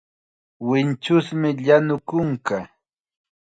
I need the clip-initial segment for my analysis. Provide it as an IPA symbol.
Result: w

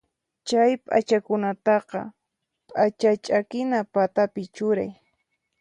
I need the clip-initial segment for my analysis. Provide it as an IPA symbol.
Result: t͡ʃ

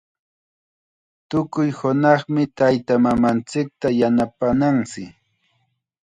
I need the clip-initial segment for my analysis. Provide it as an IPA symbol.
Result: t̪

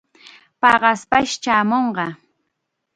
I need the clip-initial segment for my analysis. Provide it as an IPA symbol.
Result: p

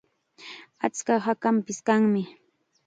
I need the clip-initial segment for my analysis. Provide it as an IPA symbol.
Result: a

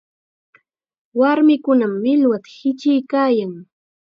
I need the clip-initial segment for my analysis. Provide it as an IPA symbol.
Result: w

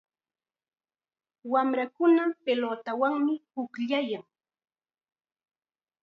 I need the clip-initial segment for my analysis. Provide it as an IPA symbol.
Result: w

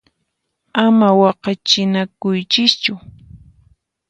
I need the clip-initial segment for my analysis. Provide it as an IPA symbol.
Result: a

